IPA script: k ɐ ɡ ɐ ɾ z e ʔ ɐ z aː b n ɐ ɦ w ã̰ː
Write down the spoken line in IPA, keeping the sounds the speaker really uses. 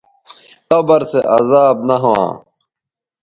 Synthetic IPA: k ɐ b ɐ ɾ s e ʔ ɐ z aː b n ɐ ɦ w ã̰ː